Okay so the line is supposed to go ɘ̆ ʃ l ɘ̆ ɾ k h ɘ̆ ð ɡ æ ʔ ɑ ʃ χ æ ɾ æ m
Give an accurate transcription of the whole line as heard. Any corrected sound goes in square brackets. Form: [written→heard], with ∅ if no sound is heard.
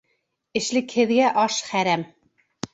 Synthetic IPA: ɘ̆ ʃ l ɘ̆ [ɾ→∅] k h ɘ̆ ð ɡ æ ʔ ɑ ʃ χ æ ɾ æ m

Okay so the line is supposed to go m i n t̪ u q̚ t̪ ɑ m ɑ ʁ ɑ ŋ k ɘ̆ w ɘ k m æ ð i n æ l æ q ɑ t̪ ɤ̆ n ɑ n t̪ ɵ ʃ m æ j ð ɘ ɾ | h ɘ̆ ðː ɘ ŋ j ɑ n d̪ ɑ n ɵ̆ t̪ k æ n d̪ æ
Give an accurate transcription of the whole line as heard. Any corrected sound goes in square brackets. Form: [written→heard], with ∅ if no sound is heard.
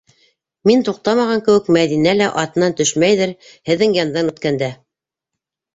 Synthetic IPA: m i n t̪ u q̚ t̪ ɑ m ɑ ʁ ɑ ŋ k ɘ̆ w ɘ k m æ ð i n æ l æ [q→ʔ] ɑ t̪ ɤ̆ n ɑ n t̪ ɵ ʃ m æ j ð ɘ ɾ | h ɘ̆ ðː ɘ ŋ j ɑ n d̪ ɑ n ɵ̆ t̪ k æ n d̪ æ

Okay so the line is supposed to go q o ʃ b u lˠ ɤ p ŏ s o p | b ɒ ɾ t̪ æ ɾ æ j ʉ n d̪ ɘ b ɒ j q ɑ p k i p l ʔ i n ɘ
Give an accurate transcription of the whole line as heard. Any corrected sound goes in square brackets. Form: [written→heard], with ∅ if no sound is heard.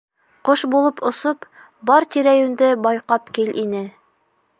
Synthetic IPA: q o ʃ b u lˠ ɤ p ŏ s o p | b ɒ ɾ t̪ [æ→i] ɾ æ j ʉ n d̪ ɘ b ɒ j q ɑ p k i [p→∅] l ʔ i n ɘ

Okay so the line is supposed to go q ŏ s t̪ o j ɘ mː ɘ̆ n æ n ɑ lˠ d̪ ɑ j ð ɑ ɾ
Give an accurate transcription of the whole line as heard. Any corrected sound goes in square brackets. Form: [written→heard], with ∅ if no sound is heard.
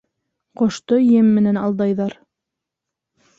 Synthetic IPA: q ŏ [s→ʃ] t̪ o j ɘ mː ɘ̆ n æ n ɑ lˠ d̪ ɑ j ð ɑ ɾ

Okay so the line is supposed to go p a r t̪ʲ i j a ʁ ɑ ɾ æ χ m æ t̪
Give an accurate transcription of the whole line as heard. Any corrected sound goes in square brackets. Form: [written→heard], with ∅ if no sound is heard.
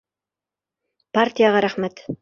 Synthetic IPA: p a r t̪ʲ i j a ʁ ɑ ɾ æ χ m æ t̪

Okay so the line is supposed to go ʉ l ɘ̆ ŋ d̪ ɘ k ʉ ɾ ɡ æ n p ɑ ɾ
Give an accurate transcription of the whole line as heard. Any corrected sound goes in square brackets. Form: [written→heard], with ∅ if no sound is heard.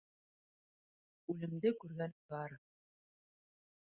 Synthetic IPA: ʉ l ɘ̆ [ŋ→m] d̪ ɘ k ʉ ɾ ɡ æ n [p→b] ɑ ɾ

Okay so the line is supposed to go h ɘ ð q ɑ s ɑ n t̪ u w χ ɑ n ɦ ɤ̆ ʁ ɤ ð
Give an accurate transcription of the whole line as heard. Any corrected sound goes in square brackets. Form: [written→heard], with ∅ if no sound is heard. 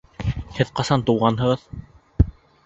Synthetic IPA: h ɘ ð q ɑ s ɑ n t̪ u w [χ→ʁ] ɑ n ɦ ɤ̆ ʁ ɤ ð

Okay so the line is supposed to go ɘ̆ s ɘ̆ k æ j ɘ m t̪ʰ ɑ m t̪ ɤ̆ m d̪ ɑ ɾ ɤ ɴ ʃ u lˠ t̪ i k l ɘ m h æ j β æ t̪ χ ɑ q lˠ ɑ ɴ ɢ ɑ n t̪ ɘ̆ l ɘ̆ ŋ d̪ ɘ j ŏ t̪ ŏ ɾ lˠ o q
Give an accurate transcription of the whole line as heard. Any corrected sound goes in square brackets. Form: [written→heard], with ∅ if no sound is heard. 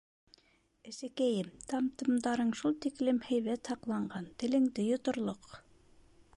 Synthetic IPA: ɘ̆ s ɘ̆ k æ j ɘ m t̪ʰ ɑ m t̪ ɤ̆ m d̪ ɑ ɾ ɤ ɴ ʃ u lˠ t̪ i k l ɘ m h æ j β æ t̪ [χ→h] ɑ q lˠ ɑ ɴ ɢ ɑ n t̪ ɘ̆ l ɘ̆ ŋ d̪ ɘ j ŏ t̪ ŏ ɾ lˠ o q

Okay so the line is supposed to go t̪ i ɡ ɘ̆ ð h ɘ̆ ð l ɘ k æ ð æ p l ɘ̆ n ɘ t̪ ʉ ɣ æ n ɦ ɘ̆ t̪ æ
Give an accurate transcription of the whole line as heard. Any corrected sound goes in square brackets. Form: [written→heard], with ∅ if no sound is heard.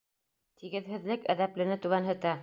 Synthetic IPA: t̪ i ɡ ɘ̆ ð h ɘ̆ ð l ɘ k æ ð æ p l ɘ̆ n ɘ t̪ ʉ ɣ æ n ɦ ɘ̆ t̪ æ

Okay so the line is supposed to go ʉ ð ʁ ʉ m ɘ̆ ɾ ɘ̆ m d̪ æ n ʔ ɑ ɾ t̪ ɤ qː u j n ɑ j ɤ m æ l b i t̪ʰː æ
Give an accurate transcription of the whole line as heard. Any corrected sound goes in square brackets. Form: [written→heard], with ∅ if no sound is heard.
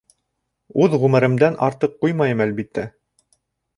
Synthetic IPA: ʉ ð ʁ ʉ m ɘ̆ ɾ ɘ̆ m d̪ æ n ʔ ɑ ɾ t̪ ɤ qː u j [n→m] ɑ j ɤ m æ l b i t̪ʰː æ

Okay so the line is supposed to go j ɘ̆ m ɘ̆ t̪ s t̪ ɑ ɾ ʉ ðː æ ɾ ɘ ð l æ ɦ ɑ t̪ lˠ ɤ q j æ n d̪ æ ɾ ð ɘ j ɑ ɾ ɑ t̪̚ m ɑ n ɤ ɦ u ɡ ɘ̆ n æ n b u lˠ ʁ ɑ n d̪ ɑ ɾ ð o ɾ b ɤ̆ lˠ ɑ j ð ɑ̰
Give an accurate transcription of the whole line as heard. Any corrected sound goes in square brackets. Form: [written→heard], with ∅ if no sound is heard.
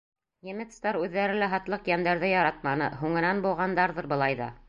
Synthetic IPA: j ɘ̆ m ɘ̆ t̪ s t̪ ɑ ɾ ʉ ðː æ ɾ ɘ [ð→∅] l æ ɦ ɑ t̪ lˠ ɤ q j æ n d̪ æ ɾ ð ɘ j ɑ ɾ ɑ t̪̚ m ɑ n ɤ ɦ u [ɡ→ŋ] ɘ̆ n æ n b u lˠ ʁ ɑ n d̪ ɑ ɾ ð [o→ɤ] ɾ b ɤ̆ lˠ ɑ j ð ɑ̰

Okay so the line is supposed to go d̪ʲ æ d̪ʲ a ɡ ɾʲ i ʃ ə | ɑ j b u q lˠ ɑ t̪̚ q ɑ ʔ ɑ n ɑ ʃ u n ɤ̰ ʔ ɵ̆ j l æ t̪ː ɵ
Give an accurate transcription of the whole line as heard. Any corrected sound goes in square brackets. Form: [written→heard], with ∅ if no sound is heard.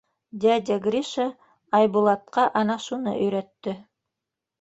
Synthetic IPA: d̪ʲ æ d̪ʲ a ɡ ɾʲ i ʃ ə | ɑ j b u [q→∅] lˠ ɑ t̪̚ q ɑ ʔ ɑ n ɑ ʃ u n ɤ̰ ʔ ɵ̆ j [l→ɾ] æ t̪ː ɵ

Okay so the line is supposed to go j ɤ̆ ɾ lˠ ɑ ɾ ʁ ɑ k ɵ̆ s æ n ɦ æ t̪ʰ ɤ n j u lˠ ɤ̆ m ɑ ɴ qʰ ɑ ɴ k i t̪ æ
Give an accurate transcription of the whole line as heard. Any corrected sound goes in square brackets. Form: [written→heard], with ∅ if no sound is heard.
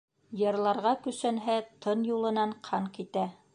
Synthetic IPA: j ɤ̆ ɾ lˠ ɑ ɾ ʁ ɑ k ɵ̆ s æ n ɦ æ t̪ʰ ɤ n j u lˠ ɤ̆ [m→n] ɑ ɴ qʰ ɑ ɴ k i t̪ æ

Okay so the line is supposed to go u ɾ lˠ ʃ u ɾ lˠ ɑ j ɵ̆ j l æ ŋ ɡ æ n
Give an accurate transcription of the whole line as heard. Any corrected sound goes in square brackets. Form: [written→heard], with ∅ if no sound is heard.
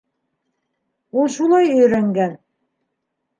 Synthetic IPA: u [ɾ→∅] lˠ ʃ u [ɾ→∅] lˠ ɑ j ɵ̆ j [l→ɾ] æ ŋ ɡ æ n

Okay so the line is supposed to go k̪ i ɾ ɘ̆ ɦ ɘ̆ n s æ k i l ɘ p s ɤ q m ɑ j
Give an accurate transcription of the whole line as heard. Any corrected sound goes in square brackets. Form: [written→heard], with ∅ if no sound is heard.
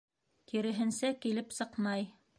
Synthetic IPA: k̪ i ɾ ɘ̆ ɦ ɘ̆ n s æ k i l ɘ p s ɤ q m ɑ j

